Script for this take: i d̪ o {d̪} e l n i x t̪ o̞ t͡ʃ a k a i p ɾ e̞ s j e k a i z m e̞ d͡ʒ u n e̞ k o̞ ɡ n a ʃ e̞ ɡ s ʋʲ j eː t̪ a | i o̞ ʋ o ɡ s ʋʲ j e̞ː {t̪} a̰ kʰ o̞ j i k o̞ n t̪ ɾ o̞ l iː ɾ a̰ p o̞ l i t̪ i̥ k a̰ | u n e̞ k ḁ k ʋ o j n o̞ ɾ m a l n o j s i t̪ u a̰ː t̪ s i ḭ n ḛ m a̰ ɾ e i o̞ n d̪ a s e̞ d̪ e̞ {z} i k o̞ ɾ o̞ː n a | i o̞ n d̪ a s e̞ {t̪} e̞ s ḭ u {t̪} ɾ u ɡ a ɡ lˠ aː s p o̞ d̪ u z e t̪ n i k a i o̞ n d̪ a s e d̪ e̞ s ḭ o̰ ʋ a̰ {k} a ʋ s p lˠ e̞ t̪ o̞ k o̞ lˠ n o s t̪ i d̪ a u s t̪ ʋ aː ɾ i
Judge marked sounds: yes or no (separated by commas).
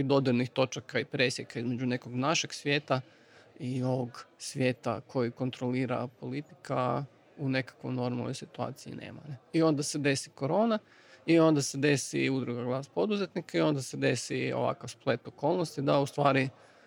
yes, yes, no, no, no, yes